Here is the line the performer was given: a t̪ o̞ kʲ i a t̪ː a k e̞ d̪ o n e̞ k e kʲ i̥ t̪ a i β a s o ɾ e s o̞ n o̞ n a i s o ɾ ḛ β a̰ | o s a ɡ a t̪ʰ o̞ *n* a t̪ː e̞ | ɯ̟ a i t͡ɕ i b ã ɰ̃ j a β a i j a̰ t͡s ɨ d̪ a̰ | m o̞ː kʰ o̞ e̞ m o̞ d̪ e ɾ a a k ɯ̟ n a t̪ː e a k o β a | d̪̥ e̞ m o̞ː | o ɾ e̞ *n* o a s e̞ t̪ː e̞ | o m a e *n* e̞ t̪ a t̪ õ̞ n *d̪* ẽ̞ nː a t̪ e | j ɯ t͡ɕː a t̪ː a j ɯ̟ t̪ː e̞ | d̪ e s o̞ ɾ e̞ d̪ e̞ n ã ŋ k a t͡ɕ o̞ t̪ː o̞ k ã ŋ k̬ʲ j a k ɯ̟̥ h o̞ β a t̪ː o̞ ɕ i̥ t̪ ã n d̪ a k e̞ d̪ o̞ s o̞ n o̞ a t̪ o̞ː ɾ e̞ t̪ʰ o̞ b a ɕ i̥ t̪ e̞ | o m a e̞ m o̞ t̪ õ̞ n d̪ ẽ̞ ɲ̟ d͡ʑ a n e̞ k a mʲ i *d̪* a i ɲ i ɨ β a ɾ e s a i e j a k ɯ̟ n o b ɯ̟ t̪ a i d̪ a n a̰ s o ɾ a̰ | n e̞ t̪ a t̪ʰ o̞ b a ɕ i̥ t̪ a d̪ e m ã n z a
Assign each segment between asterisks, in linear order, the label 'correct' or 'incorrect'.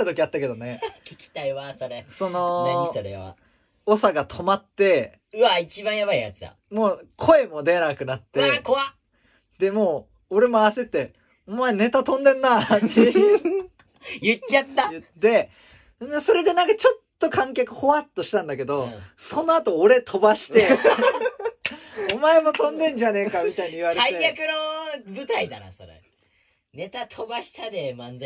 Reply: incorrect, incorrect, correct, correct, incorrect

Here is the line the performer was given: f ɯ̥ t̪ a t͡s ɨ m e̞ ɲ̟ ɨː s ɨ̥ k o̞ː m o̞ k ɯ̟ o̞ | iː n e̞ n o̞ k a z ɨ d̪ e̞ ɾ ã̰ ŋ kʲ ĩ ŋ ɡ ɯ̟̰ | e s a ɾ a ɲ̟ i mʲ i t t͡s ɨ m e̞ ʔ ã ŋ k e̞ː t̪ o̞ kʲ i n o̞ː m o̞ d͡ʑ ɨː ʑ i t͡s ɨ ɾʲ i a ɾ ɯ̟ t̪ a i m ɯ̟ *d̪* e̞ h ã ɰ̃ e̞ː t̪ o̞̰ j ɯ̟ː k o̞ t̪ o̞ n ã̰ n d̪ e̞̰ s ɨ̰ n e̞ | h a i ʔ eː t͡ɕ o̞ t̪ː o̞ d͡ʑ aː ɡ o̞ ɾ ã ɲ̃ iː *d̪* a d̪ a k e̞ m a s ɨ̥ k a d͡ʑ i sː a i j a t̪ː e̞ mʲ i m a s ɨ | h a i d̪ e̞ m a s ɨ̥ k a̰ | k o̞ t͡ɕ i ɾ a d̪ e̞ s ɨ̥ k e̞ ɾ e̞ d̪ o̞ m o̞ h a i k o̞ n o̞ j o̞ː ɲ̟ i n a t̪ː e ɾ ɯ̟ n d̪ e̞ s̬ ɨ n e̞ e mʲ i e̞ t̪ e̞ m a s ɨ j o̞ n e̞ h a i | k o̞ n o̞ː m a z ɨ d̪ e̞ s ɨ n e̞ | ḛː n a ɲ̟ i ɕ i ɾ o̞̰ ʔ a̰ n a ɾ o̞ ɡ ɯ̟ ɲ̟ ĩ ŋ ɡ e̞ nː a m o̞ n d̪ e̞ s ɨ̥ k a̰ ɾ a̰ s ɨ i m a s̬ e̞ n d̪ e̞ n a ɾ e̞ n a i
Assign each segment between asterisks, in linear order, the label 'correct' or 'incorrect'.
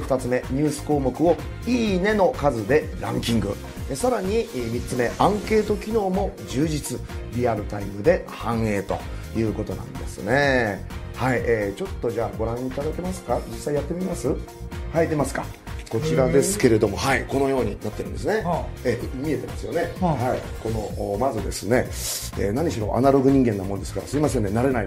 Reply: correct, incorrect

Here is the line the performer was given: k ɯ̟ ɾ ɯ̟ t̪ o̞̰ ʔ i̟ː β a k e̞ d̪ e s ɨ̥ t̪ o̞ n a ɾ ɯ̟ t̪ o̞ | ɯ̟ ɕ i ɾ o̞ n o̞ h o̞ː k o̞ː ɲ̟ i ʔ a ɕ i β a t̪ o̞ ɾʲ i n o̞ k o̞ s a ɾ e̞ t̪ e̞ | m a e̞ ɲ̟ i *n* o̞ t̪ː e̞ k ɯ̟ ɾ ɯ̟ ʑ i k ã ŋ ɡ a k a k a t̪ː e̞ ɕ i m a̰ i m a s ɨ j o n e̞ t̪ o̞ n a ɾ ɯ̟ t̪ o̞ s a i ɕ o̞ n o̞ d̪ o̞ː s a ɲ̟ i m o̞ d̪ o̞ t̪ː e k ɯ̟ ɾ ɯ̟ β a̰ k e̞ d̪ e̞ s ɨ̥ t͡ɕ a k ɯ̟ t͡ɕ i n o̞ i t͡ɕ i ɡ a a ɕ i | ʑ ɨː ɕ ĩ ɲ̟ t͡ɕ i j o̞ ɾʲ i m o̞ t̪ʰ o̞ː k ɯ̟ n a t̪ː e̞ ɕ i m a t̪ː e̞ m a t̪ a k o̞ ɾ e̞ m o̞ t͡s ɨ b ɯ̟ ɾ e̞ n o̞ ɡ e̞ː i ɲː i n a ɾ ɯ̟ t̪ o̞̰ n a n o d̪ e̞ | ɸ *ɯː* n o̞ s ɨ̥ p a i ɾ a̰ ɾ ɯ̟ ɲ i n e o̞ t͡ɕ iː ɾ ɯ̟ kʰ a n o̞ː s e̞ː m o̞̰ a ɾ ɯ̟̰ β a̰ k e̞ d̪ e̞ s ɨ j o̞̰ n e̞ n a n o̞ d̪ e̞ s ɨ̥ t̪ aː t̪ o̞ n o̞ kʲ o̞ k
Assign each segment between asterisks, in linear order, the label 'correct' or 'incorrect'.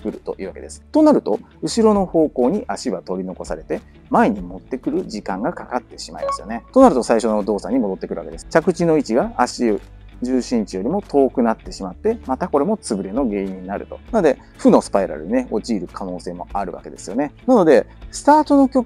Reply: incorrect, incorrect

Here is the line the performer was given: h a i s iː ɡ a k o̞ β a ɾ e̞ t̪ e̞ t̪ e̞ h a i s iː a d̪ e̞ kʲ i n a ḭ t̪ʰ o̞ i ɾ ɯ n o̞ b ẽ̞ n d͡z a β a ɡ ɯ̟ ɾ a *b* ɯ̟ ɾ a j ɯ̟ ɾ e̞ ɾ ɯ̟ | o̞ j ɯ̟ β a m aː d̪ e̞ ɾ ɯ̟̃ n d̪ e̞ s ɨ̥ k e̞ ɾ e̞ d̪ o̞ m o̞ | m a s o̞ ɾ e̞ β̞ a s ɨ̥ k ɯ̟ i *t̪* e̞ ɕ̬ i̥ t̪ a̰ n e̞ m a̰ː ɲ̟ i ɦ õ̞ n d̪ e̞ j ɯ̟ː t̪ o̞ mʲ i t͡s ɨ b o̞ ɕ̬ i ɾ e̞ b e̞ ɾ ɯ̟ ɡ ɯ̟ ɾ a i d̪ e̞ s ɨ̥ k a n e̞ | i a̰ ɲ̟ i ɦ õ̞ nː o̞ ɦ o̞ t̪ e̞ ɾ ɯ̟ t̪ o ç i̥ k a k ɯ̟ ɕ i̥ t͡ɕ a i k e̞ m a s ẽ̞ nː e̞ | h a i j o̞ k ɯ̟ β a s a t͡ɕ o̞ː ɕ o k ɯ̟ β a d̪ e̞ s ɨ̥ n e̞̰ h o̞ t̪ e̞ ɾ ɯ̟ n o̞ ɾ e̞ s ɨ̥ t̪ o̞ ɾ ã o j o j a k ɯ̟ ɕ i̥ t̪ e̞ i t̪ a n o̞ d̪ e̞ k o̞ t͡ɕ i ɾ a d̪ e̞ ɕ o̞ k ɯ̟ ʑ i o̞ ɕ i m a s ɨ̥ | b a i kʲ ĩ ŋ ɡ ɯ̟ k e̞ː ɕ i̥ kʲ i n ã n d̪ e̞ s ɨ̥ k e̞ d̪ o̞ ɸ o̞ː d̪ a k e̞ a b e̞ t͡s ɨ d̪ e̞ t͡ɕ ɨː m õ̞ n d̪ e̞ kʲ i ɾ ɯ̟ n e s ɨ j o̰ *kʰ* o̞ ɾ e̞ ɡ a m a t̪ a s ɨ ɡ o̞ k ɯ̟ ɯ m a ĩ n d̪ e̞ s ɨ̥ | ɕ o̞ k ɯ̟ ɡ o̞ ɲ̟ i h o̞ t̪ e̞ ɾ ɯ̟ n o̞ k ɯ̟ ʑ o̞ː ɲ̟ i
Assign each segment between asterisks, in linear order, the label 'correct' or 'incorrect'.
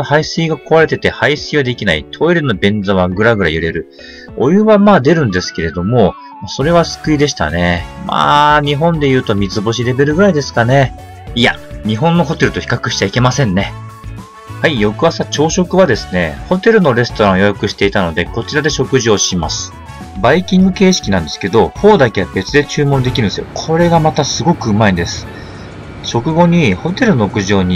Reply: incorrect, incorrect, correct

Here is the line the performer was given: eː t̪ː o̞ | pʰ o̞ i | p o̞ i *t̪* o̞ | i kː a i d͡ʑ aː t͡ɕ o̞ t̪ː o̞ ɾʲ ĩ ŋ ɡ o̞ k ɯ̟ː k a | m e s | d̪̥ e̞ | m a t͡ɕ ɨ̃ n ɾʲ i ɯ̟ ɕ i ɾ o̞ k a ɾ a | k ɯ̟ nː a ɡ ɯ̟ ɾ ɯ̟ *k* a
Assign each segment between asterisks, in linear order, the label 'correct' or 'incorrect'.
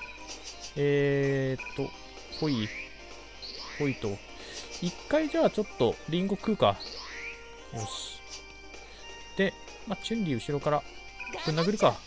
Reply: correct, correct

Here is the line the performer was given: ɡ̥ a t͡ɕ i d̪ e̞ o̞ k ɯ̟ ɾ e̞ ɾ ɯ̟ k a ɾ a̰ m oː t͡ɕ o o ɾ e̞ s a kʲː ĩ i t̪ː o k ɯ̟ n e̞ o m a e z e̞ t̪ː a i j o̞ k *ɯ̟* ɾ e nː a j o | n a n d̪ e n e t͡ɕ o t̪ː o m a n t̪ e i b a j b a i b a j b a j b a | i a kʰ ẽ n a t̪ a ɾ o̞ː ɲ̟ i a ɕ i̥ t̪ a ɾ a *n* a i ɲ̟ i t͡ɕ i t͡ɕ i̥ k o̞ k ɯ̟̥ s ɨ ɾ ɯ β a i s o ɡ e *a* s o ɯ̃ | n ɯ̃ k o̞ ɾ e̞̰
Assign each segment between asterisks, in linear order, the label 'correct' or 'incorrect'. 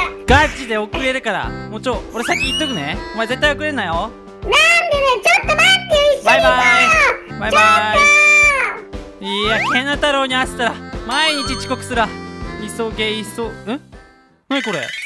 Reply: correct, incorrect, incorrect

